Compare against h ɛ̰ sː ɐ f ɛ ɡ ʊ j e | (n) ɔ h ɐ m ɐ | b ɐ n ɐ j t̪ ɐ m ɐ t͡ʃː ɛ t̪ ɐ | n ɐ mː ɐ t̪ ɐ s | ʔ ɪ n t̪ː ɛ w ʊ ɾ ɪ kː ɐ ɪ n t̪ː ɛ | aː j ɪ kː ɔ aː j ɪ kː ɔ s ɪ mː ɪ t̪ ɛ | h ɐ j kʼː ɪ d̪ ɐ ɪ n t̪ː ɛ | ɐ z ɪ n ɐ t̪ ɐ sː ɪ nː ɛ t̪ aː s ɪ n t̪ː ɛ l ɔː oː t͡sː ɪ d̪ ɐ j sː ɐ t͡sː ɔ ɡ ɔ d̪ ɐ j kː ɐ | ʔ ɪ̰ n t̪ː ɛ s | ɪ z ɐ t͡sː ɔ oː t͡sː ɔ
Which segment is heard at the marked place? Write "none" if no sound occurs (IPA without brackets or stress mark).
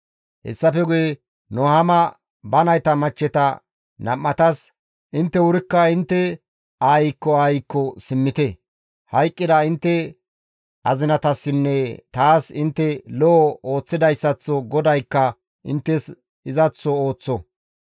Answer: n